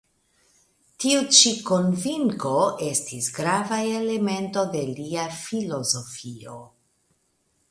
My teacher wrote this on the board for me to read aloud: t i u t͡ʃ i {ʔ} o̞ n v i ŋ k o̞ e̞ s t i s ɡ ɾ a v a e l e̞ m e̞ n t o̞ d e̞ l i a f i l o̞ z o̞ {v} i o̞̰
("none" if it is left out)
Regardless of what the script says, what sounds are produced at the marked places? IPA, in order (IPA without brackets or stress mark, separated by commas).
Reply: k, f